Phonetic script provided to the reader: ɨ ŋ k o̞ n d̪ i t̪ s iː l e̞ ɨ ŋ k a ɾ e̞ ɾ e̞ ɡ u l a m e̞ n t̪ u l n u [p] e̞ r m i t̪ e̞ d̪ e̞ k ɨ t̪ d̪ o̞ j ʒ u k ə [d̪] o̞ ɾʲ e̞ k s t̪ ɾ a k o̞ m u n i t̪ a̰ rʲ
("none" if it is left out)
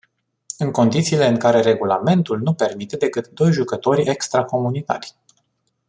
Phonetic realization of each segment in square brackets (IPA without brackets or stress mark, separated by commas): p, t̪